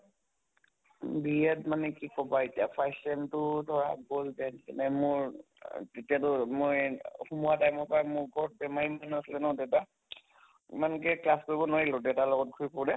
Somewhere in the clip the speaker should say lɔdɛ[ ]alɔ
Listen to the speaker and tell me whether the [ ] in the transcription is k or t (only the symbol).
t